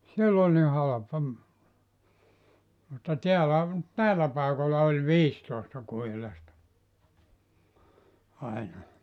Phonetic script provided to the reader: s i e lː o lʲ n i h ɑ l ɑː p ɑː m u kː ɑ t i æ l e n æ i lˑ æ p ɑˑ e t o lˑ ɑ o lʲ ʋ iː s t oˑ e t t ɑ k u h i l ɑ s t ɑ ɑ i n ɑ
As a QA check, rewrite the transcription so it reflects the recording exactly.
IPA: s i e lː o lʲ n i h ɑ l ɑ p ɑ m u tː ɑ t i æ l æ n æ i lˑ æ p ɑˑ e k o lˑ ɑ o lʲ ʋ iː s t oˑ e s t ɑ k u h i l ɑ s t ɑ ɑ i n ɑ